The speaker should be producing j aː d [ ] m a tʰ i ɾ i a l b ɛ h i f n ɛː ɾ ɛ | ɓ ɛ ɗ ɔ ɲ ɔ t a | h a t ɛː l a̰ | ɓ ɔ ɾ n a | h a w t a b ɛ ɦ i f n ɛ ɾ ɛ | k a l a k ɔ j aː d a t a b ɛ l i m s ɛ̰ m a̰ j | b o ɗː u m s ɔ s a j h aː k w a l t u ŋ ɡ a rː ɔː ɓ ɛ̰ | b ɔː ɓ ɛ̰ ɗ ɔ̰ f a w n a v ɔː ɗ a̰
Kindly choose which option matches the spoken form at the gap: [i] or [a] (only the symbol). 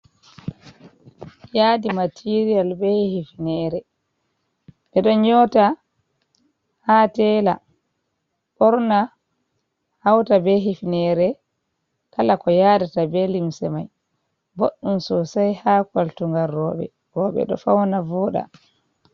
i